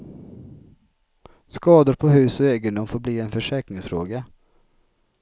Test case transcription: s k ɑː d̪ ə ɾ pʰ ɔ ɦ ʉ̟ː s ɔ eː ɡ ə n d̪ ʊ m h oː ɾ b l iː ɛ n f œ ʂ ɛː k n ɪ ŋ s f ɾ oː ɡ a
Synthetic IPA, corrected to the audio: s k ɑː d̪ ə ɾ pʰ ɔ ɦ ʉ̟ː s ɔ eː ɡ ə n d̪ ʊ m f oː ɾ b l iː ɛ n f œ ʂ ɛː k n ɪ ŋ s f ɾ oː ɡ a